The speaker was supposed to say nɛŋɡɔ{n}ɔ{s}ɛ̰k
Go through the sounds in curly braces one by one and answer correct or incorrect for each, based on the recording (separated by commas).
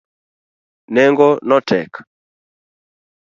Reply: correct, incorrect